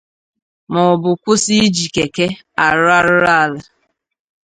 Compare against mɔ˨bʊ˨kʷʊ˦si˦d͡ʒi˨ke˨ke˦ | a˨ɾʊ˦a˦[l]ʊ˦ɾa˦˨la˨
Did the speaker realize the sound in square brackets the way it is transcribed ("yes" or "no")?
no